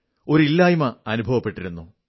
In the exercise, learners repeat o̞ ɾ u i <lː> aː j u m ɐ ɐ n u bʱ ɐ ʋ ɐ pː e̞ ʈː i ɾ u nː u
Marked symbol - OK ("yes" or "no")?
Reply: yes